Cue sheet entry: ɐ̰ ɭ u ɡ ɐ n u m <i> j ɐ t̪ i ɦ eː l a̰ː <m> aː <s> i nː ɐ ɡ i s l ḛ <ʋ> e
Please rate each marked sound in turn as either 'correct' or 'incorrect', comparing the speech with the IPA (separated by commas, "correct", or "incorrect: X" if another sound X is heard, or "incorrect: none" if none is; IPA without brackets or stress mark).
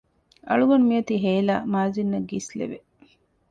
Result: correct, correct, incorrect: z, correct